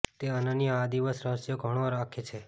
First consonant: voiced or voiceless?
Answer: voiceless